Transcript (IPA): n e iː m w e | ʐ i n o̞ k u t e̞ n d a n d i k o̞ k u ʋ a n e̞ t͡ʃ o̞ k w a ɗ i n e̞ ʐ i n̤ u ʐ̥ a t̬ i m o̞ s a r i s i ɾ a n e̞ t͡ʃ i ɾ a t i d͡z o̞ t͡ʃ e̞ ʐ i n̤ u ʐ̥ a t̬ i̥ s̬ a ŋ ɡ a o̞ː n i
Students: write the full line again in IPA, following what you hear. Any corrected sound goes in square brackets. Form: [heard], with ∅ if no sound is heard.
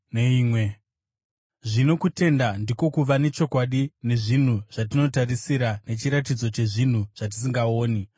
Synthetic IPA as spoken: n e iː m w e | ʐ i n o̞ k u t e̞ n d a n d i k o̞ k u ʋ a n e̞ t͡ʃ o̞ k w a ɗ i n e̞ ʐ i n̤ u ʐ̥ a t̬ i [n] o̞ [t] a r i s i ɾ a n e̞ t͡ʃ i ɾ a t i d͡z o̞ t͡ʃ e̞ ʐ i n̤ u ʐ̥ a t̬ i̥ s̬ [i] ŋ ɡ a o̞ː n i